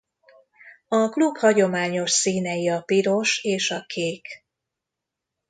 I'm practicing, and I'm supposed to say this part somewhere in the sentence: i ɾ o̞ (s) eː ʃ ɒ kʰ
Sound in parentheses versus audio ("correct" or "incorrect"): incorrect